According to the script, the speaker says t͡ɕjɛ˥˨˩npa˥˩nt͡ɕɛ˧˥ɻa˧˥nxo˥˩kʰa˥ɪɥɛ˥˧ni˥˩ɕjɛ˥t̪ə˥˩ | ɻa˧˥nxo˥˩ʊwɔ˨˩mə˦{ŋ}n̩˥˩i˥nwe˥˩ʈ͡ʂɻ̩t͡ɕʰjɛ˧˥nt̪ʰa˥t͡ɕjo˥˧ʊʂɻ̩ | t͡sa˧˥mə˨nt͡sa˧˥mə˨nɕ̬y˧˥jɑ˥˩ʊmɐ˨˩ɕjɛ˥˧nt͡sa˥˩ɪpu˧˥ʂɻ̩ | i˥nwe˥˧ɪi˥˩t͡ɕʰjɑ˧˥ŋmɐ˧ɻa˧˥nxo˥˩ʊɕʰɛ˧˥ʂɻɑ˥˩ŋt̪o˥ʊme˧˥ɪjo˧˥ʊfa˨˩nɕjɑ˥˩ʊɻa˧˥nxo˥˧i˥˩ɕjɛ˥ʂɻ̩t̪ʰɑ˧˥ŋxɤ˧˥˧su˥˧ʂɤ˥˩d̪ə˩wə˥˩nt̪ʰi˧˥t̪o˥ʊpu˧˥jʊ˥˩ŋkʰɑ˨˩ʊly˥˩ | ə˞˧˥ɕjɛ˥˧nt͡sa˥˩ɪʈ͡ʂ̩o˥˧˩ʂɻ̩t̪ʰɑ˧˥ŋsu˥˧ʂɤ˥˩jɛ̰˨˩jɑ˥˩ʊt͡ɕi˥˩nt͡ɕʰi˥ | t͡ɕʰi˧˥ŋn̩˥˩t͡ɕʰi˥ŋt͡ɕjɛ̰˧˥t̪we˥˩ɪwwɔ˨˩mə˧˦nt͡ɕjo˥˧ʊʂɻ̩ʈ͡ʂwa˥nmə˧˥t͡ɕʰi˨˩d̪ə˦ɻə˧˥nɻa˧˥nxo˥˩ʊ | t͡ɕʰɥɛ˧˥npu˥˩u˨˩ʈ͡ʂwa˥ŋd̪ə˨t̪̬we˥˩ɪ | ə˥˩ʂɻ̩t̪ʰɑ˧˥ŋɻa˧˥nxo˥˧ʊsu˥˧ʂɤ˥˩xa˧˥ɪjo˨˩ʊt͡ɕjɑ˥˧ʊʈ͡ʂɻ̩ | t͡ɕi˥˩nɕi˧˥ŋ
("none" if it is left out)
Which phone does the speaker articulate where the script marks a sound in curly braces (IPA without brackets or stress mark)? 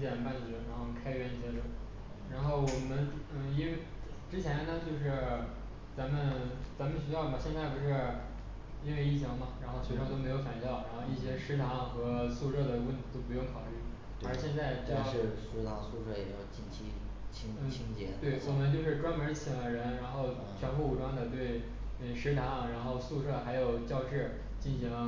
n